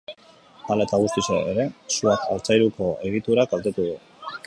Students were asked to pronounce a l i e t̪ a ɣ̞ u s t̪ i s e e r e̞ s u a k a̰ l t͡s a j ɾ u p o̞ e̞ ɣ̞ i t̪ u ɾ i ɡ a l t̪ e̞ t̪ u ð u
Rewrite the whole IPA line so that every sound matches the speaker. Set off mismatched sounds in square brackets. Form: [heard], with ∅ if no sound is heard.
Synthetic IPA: a l [a] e t̪ a ɣ̞ u s t̪ i s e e [ɾ] e̞ s u a k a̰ l t͡s a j ɾ u [k] o̞ e̞ ɣ̞ i t̪ u ɾ [a] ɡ a l t̪ e̞ t̪ u ð u